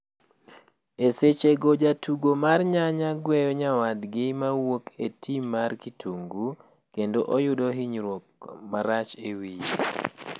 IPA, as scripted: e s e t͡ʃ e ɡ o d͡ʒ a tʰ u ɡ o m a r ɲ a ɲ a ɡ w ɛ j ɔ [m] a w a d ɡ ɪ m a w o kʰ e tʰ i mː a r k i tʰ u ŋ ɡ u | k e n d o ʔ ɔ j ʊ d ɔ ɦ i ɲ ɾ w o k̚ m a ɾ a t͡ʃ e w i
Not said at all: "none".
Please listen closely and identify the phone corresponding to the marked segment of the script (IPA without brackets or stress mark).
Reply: ɲ